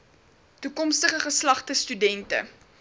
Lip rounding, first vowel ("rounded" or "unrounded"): rounded